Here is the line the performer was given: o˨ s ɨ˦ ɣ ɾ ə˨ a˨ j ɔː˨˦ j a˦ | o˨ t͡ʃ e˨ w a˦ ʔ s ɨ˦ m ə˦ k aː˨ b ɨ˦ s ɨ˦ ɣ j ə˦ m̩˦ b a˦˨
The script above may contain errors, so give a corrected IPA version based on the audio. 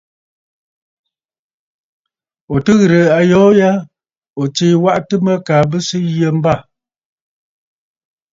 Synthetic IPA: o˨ t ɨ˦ ɣ ɾ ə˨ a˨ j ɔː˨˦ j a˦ | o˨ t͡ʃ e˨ w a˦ ʔ t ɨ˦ m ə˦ k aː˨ b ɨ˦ s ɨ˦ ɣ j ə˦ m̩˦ b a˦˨